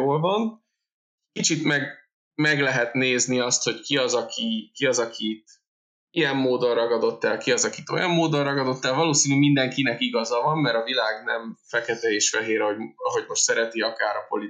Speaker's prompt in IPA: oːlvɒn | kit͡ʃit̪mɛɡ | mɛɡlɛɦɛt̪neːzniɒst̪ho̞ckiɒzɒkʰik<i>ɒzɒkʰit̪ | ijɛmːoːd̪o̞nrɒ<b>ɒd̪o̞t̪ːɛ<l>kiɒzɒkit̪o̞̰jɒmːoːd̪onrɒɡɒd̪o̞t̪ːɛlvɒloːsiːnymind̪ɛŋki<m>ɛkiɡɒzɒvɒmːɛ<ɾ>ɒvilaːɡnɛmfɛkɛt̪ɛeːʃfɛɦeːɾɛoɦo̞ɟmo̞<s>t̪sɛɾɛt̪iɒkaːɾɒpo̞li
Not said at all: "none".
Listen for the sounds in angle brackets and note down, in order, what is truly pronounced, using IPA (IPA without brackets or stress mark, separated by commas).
i, ɡ, l, n, ɾ, ʃ